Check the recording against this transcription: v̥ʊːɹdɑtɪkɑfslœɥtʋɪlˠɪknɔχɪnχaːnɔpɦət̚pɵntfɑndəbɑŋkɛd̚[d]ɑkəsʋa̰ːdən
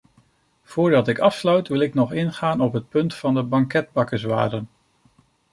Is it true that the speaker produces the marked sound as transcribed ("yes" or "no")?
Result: no